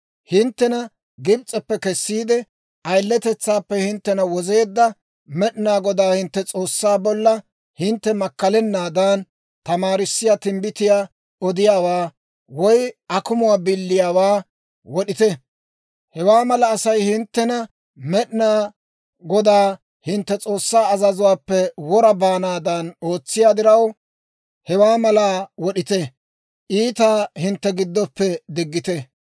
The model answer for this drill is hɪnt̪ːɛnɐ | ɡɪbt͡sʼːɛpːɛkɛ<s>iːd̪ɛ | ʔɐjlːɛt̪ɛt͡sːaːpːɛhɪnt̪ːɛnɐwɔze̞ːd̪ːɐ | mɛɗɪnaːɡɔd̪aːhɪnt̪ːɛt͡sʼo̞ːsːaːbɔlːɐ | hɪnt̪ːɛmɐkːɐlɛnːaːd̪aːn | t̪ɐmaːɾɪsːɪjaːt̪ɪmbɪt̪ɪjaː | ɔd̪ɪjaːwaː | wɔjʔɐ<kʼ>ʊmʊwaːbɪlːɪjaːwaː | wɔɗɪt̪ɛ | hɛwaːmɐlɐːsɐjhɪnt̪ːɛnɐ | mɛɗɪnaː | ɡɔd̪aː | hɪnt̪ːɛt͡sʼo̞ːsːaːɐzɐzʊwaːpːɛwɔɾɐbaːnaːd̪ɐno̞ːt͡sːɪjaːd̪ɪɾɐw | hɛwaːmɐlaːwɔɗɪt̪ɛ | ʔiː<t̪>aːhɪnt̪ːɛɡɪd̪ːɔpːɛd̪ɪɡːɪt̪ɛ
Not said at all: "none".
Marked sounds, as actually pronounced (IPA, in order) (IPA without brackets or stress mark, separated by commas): sː, k, t̪